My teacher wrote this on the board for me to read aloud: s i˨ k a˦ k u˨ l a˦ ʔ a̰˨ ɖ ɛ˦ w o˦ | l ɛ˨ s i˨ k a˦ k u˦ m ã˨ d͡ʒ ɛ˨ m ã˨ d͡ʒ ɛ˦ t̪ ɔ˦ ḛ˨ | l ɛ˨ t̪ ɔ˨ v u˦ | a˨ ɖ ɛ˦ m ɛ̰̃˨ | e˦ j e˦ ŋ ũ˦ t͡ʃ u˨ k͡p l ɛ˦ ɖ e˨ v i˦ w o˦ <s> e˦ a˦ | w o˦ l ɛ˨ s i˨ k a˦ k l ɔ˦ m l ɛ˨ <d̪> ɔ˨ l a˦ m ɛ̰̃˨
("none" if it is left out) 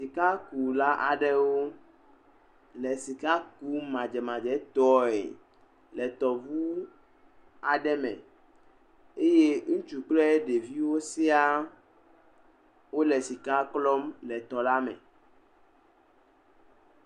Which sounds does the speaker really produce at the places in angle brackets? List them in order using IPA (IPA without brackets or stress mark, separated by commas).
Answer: s, t̪